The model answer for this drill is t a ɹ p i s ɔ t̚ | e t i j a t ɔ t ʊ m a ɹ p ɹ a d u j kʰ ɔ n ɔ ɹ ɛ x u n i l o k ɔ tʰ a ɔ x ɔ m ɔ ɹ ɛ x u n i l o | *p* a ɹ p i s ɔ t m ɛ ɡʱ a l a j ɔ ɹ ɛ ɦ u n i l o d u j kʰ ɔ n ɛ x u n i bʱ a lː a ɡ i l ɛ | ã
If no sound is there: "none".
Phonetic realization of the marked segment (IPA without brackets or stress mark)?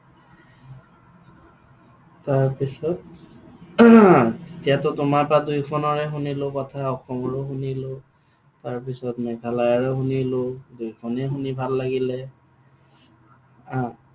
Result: t